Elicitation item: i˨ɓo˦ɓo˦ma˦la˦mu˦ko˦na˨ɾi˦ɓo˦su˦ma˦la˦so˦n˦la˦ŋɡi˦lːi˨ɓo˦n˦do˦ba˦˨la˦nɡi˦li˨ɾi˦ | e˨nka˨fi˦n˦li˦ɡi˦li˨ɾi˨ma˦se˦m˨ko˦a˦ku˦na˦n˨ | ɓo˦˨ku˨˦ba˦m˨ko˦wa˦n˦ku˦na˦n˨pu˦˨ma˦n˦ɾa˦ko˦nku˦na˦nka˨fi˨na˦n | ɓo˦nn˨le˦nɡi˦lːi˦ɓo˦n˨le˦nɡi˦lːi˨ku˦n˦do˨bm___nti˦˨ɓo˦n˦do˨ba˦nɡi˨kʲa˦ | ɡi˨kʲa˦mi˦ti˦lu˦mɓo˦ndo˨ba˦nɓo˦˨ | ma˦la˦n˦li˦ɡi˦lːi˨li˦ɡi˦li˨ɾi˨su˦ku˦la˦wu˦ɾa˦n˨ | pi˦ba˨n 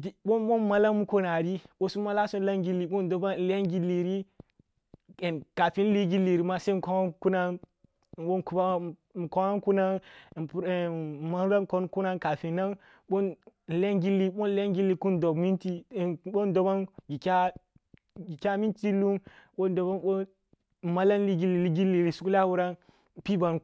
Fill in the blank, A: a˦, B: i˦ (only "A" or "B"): B